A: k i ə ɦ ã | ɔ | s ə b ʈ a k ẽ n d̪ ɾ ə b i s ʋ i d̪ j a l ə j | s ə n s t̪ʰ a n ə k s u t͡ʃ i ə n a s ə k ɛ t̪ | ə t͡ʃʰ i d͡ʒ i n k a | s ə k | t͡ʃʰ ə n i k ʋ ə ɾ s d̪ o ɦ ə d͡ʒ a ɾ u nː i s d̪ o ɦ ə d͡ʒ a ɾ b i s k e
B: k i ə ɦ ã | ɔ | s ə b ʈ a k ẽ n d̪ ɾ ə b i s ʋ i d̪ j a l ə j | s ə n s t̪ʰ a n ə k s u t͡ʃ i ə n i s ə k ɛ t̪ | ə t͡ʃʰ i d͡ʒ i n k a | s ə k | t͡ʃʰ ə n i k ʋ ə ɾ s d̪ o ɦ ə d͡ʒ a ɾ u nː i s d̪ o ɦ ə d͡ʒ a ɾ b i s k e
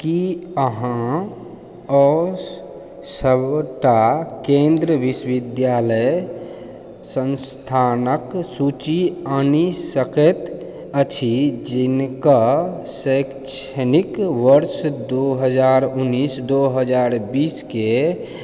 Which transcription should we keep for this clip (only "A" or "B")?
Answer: B